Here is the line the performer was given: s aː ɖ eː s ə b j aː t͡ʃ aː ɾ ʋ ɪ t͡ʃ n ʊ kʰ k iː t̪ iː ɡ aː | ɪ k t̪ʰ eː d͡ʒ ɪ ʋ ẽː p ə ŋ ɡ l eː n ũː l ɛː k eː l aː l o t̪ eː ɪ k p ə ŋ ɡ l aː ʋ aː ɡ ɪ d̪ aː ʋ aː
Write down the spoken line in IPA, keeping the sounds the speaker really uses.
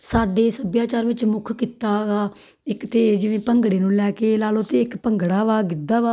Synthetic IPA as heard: s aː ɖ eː s ə b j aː t͡ʃ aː ɾ ʋ ɪ t͡ʃ m ʊ kʰ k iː t̪ aː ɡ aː | ɪ k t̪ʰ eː d͡ʒ ɪ ʋ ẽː p ə ŋ ɡ ɽ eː n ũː l ɛː k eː l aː l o t̪ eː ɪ k p ə ŋ ɡ ɽ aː ʋ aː ɡ ɪ d̪ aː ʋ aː